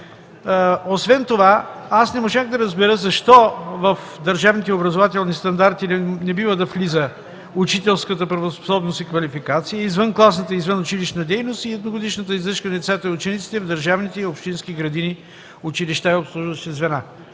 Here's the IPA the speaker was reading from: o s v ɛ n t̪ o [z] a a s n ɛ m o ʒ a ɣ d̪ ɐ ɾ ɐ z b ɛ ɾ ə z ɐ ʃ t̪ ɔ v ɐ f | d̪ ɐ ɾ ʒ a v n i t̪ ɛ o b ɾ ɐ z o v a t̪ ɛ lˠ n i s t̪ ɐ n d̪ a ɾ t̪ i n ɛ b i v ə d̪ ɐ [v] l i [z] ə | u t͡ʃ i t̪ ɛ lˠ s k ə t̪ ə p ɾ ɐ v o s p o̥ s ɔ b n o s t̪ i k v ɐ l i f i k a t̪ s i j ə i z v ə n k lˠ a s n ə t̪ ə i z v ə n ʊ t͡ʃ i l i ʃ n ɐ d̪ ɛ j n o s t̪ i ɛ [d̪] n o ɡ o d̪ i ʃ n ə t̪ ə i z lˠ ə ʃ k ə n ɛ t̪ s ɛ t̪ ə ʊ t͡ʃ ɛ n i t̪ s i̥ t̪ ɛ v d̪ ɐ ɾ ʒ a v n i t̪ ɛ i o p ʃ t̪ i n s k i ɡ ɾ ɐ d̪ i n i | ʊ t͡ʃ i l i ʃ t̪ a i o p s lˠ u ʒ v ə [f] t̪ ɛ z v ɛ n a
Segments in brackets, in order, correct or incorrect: incorrect: v, incorrect: f, correct, correct, incorrect: ʃ

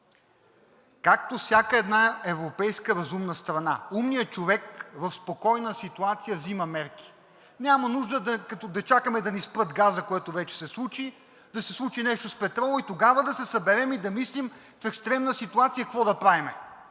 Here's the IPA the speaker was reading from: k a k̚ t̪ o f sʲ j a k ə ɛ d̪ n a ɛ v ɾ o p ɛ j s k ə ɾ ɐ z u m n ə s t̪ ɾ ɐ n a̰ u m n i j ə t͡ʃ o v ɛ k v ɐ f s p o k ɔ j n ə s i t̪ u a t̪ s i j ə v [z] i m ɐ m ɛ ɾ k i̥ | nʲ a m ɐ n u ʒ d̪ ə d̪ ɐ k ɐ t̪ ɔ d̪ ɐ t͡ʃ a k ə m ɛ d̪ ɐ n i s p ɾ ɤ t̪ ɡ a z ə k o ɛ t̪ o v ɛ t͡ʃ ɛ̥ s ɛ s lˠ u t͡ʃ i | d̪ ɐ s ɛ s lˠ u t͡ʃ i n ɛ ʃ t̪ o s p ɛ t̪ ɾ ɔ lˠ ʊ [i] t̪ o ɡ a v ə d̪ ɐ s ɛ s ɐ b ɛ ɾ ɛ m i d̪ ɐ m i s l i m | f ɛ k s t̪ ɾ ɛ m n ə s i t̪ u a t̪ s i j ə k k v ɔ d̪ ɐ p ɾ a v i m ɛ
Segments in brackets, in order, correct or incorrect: correct, correct

